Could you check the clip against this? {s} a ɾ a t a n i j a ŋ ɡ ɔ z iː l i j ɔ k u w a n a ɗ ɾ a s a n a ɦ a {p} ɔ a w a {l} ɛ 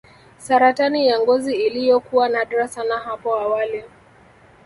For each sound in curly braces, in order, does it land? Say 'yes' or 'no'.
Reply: yes, yes, yes

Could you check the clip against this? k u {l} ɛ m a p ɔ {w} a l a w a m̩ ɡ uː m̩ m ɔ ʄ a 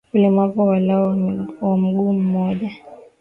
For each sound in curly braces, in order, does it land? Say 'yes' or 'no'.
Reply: yes, yes

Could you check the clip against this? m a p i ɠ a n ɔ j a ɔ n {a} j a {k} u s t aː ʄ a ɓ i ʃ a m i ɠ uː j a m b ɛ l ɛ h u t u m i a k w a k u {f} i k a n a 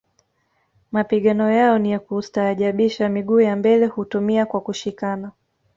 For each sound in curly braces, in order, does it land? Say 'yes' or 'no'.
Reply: no, yes, no

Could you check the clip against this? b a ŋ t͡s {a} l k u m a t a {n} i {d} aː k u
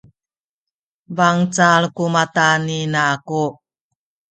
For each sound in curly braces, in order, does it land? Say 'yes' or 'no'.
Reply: yes, yes, no

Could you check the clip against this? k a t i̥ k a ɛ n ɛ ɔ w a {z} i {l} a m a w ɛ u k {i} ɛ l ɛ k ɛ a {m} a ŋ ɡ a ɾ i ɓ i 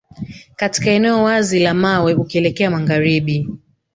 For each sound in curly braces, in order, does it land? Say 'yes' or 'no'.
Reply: yes, yes, yes, yes

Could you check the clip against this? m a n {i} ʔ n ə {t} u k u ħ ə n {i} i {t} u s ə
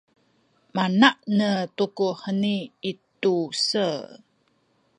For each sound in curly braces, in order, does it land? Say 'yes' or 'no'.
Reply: no, yes, yes, yes

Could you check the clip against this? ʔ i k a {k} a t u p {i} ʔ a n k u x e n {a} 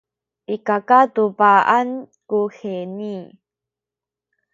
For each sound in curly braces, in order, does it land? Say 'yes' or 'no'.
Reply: yes, no, no

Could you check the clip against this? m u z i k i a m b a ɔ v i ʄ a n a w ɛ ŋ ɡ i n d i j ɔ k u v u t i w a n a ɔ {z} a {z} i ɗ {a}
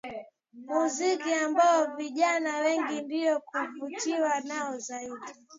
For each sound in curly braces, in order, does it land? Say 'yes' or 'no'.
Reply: yes, no, no

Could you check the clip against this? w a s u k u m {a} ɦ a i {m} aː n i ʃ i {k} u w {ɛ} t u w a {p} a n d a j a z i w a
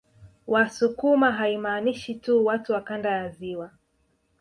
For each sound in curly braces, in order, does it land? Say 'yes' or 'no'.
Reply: yes, yes, no, no, no

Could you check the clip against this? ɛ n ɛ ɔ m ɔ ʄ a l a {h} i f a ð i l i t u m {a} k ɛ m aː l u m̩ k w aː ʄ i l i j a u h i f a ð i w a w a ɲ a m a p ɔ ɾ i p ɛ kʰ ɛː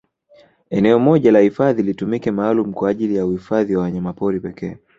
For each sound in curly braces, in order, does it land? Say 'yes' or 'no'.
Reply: yes, no

